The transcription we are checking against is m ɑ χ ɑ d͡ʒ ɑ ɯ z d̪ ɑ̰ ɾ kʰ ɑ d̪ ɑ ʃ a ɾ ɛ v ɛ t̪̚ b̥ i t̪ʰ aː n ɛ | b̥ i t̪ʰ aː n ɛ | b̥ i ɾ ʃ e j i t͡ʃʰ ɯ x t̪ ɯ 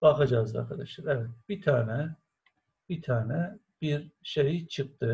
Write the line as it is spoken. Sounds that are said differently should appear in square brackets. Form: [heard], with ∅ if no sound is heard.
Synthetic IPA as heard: [b] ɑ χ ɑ d͡ʒ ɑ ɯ z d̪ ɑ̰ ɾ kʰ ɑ d̪ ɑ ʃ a ɾ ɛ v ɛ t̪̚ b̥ i t̪ʰ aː n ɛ | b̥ i t̪ʰ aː n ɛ | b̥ i ɾ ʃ e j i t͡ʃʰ ɯ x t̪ ɯ